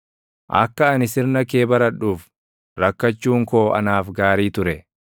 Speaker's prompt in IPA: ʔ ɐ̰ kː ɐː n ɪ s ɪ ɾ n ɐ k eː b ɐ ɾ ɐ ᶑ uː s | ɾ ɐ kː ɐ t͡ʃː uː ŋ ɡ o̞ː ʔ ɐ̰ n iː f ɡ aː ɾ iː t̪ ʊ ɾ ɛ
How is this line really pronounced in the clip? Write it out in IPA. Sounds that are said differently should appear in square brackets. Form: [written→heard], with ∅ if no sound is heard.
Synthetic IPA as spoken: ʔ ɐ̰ kː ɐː n ɪ s ɪ ɾ n ɐ k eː b ɐ ɾ ɐ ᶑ uː [s→f] | ɾ ɐ kː ɐ t͡ʃː uː ŋ [ɡ→k] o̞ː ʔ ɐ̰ n [iː→aː] f ɡ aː ɾ iː t̪ ʊ ɾ ɛ